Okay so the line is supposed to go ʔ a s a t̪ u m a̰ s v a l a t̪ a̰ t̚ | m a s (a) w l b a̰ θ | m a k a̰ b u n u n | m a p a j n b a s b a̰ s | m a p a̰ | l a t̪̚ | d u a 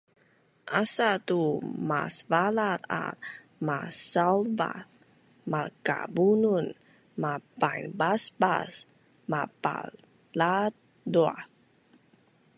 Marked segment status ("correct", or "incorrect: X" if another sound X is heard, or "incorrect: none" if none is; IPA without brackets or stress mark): correct